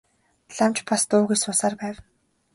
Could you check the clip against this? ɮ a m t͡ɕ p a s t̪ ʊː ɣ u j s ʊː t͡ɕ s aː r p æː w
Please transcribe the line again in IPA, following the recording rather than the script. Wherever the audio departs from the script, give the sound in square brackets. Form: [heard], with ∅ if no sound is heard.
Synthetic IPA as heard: ɮ a m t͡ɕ p a s t̪ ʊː ɣ u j s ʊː [∅] s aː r p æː w